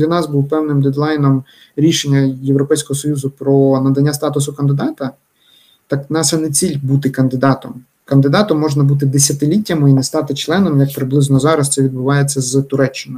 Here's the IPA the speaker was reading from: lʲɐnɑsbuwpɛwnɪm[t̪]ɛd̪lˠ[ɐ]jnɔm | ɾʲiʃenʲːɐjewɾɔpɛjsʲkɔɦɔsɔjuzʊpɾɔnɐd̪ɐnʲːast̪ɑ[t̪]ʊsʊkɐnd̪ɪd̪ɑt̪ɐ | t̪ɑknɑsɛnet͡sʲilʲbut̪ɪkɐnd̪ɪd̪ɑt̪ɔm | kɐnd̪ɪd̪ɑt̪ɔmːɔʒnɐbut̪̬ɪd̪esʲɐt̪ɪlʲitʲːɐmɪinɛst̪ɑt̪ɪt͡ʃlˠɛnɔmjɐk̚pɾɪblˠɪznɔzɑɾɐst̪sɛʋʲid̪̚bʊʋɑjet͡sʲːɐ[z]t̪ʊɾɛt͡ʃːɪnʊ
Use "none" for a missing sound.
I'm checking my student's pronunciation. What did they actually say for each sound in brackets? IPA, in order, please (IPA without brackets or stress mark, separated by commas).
d̪, ɑ, t̪, z